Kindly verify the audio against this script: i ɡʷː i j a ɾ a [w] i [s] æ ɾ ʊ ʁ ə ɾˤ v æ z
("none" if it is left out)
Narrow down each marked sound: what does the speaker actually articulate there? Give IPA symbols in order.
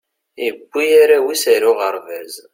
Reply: w, s

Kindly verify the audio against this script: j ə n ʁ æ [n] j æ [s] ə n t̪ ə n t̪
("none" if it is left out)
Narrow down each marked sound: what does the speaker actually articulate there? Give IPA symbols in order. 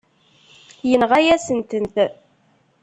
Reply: none, s

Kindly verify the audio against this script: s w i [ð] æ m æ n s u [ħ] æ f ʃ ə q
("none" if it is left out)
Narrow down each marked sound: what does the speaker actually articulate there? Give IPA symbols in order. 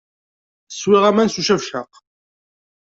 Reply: ʁ, ʃ

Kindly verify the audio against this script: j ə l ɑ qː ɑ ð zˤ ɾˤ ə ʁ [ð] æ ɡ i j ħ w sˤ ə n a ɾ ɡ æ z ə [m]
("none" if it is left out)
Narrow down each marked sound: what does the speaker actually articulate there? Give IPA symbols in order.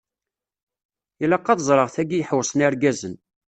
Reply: θ, n

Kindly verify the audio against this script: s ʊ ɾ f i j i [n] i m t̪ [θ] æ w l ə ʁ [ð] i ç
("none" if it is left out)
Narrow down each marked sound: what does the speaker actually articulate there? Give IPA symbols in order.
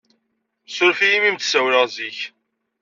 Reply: m, s, z

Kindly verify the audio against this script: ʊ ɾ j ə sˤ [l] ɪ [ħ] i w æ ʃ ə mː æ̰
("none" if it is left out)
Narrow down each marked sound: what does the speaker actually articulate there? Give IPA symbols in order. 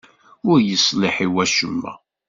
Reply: l, ħ

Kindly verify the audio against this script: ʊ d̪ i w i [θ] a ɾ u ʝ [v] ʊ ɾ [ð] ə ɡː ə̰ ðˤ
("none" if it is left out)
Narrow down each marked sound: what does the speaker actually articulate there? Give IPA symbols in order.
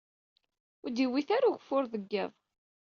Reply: θ, f, ð

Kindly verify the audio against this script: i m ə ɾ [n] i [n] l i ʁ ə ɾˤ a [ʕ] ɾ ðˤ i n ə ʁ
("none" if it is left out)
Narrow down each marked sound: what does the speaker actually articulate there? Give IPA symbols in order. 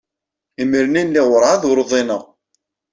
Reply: n, n, ð

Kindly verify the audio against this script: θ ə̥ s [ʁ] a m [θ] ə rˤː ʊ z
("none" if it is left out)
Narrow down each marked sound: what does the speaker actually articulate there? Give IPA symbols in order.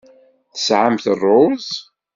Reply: ʕ, θ

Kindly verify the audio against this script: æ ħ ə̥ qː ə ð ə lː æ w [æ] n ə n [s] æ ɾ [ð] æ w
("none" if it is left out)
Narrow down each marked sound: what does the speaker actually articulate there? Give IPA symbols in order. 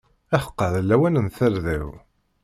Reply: æ, θ, ð

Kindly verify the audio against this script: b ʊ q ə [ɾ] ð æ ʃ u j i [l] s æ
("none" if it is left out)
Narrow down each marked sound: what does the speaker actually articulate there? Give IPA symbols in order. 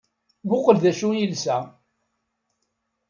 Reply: l, l

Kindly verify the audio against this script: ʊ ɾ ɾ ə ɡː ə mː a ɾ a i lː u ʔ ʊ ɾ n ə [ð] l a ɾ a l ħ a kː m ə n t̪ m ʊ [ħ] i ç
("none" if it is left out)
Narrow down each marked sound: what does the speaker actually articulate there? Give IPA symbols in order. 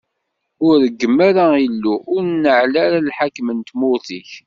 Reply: ʕ, θ

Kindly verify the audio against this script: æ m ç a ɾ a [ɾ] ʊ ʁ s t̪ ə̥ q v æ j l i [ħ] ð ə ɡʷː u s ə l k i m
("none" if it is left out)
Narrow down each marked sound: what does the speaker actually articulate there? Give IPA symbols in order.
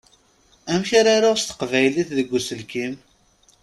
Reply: ɾ, θ

